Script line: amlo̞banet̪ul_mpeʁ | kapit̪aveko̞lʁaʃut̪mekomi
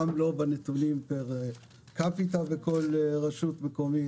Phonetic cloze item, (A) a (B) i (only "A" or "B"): B